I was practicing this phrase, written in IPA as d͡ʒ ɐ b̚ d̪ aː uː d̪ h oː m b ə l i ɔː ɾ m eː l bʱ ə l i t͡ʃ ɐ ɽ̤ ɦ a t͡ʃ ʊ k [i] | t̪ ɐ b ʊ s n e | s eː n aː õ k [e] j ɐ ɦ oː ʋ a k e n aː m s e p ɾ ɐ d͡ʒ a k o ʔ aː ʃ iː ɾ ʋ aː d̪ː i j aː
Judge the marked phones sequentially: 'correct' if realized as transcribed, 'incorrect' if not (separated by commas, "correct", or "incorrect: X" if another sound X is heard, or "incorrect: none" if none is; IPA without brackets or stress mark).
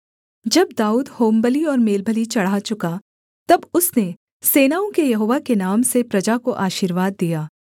incorrect: a, correct